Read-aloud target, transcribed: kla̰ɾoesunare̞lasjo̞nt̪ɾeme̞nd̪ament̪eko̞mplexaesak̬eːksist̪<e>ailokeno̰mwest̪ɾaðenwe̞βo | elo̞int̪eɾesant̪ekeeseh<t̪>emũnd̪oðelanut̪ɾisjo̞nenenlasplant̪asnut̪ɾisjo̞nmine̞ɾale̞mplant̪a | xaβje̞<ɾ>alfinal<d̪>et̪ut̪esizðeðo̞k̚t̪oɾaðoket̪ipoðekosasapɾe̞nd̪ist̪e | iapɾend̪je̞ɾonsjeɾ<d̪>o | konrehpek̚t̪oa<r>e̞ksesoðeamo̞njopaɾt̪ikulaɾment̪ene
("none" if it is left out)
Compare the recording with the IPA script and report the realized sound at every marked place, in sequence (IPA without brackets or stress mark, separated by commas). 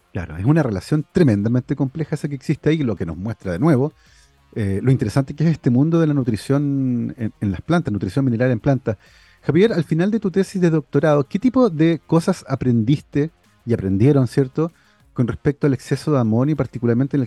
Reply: e, t̪, ɾ, d̪, t̪, l